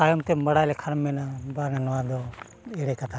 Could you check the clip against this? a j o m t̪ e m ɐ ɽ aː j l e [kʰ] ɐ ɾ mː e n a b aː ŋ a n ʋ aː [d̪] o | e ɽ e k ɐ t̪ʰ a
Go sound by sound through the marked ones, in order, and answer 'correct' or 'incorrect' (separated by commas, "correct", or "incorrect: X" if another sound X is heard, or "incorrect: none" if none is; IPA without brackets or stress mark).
correct, correct